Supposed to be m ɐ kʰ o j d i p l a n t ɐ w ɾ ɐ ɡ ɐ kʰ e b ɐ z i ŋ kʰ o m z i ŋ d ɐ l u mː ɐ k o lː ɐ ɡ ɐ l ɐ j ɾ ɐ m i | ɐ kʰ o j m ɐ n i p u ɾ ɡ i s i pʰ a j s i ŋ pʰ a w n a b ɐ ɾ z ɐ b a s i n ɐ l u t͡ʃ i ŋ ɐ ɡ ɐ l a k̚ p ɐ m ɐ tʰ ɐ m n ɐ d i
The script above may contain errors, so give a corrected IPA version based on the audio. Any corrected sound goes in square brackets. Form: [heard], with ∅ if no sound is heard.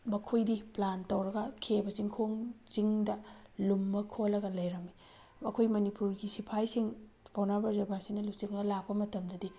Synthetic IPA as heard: m ɐ kʰ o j d i p l a n t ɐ w ɾ ɐ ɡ ɐ kʰ e b ɐ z i ŋ kʰ o [ŋ] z i ŋ d ɐ l u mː ɐ [kʰ] o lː ɐ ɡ ɐ l ɐ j ɾ ɐ m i | ɐ kʰ o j m ɐ n i p u ɾ ɡ i s i pʰ a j s i ŋ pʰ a w n a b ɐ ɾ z ɐ b a s i n ɐ l u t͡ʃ i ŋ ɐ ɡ ɐ l a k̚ p ɐ m ɐ [t] ɐ m [d] ɐ d i